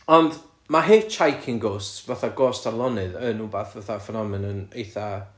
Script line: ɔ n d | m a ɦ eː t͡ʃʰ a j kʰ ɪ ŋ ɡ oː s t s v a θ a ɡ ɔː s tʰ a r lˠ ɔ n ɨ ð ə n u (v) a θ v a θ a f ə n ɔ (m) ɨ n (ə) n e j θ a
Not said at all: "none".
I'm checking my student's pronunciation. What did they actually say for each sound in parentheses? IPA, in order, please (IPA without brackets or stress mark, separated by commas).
b, m, ə